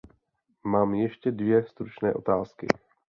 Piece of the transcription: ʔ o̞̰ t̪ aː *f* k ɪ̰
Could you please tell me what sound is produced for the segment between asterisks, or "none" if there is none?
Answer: s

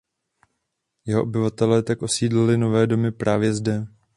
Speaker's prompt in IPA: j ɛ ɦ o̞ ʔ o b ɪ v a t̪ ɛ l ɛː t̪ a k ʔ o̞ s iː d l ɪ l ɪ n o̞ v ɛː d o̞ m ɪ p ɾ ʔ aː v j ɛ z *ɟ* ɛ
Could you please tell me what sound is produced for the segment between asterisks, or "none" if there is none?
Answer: d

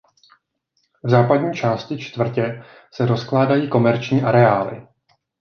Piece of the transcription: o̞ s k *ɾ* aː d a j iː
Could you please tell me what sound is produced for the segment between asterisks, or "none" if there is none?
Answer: l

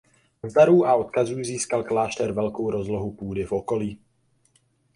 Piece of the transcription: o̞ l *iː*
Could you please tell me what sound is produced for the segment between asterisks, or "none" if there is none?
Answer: iː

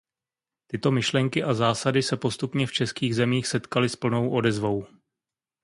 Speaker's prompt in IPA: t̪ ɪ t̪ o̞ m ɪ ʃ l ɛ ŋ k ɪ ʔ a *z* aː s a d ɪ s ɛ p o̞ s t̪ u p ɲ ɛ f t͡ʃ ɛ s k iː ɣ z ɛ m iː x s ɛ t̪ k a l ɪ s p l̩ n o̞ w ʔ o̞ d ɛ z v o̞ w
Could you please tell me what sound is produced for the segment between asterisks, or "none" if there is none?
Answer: z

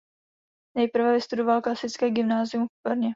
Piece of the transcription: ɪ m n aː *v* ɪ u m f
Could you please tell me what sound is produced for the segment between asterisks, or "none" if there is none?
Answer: z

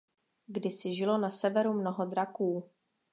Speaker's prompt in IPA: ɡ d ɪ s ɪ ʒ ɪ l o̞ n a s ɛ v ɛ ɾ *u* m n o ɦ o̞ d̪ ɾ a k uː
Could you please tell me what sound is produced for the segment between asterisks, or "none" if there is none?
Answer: u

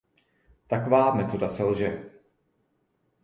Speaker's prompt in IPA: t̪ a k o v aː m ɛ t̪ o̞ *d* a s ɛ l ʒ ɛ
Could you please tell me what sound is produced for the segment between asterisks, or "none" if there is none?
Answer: d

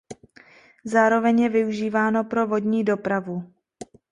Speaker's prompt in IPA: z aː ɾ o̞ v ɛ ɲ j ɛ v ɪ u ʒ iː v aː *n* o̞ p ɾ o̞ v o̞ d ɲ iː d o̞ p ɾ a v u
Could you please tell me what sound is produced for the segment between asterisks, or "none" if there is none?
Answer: n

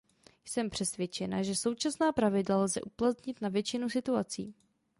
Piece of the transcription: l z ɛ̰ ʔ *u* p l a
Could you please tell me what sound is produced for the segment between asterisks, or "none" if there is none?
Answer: u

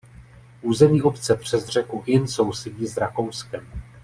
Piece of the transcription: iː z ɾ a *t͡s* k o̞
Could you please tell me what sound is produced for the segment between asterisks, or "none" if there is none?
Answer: none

